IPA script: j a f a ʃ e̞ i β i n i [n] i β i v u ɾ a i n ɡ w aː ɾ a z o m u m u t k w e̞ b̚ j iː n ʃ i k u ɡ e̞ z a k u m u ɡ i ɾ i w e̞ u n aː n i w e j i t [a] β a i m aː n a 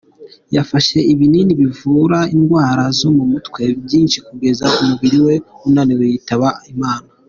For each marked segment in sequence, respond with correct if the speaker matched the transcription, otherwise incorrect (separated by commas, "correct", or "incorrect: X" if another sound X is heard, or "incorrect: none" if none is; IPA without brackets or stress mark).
correct, correct